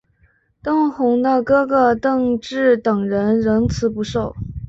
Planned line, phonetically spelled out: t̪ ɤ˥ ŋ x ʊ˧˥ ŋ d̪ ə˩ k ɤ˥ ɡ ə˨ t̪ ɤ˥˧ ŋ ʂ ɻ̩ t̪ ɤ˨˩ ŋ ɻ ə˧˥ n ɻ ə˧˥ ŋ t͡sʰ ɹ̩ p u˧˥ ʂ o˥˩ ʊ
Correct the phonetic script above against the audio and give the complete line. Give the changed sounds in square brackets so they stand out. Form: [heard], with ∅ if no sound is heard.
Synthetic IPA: t̪ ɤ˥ ŋ x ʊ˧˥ ŋ d̪ [ə˧] k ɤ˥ ɡ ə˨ t̪ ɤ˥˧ ŋ [ʈ͡ʂ] ɻ̩ t̪ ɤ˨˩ ŋ ɻ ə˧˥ n ɻ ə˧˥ ŋ t͡sʰ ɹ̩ p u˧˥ ʂ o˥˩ ʊ